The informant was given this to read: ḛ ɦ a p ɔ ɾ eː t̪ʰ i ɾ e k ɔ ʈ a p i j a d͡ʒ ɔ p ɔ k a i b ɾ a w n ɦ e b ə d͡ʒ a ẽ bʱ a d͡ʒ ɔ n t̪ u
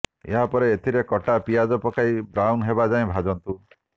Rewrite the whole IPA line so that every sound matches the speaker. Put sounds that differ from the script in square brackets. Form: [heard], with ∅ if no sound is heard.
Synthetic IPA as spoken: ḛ ɦ a p ɔ ɾ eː t̪ʰ i ɾ e k ɔ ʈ a p i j a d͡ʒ ɔ p ɔ k a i b ɾ a w n ɦ e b [a] d͡ʒ a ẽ bʱ a d͡ʒ ɔ n t̪ u